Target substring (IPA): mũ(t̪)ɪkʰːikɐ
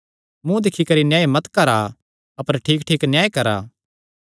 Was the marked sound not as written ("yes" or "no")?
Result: yes